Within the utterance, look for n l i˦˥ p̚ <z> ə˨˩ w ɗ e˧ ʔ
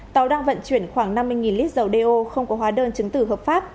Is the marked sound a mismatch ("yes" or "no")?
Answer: no